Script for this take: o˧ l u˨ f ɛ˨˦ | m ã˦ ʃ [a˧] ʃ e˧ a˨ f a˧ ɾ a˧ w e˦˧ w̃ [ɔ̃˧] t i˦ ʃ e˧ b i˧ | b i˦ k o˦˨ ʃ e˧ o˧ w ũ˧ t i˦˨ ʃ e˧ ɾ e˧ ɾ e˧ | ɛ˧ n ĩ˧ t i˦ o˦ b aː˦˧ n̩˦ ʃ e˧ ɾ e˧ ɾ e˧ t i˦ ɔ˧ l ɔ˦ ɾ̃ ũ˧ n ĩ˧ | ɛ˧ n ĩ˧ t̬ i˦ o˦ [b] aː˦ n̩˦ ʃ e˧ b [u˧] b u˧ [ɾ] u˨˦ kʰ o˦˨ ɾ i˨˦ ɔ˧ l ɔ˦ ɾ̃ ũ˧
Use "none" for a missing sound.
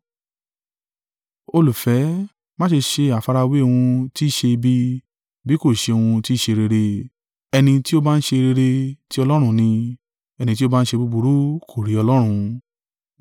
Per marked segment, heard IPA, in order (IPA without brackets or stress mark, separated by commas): e˧, ũ˧, b, u˧, ɾ